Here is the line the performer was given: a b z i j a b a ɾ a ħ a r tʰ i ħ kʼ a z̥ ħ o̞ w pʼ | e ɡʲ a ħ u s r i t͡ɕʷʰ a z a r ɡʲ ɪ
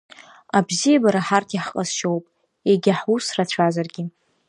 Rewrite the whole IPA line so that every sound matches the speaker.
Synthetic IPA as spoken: a b z i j a b a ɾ a ħ a r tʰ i ħ qʼ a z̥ ʃ o̞ w pʼ | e ɡʲ a ħ u s r a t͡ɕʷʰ a z a r ɡʲ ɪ